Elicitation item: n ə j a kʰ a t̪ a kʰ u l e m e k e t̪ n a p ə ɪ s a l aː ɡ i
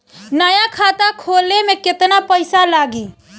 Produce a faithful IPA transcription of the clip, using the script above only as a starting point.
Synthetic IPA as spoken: n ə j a kʰ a t̪ a kʰ o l e m e k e t̪ n a p ə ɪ s a l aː ɡ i